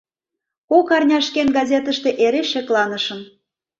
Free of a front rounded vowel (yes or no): yes